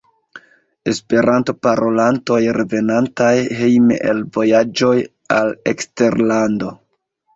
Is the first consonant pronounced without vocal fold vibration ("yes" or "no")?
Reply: yes